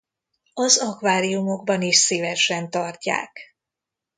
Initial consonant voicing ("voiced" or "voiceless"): voiced